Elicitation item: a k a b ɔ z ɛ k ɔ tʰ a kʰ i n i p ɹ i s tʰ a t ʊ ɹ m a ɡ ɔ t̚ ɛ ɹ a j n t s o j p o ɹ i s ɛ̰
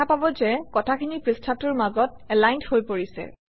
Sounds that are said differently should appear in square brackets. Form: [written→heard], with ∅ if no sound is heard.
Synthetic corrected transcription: a [k→p] a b ɔ z ɛ k ɔ tʰ a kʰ i n i p ɹ i s tʰ a t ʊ ɹ m a ɡ ɔ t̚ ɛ [ɹ→l] a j n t [s→h] o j p o ɹ i s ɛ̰